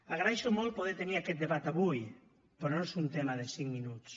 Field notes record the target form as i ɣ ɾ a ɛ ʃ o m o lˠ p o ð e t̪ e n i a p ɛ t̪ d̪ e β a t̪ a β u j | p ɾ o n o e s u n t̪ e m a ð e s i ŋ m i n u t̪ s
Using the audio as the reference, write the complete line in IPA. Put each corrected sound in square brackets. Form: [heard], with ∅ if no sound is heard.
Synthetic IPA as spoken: [a] ɣ ɾ a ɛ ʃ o m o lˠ p o ð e t̪ e n i a [k] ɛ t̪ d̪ e β a t̪ a β u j | p ɾ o n o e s u n t̪ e m a ð e s i ŋ m i n u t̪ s